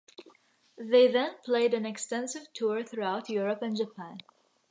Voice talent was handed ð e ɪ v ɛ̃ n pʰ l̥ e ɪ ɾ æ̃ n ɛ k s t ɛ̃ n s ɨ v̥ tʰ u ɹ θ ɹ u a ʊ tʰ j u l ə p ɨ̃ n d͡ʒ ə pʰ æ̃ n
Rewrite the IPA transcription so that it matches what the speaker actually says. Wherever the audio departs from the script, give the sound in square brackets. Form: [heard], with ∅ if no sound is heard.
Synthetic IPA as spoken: ð e ɪ [ð] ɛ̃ n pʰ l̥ e ɪ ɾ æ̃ n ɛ k s t ɛ̃ n s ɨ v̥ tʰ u ɹ θ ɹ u a ʊ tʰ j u [ɹ] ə p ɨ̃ n d͡ʒ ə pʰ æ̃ n